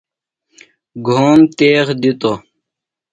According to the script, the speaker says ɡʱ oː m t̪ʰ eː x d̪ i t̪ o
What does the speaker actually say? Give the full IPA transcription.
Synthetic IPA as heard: ɡʱ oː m t̪ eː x d̪ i t̪ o